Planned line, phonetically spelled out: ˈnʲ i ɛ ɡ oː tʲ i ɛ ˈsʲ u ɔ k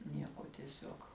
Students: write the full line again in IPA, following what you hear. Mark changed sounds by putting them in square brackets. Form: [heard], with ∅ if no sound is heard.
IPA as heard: ˈnʲ i ɛ [k] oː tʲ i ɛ ˈsʲ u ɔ k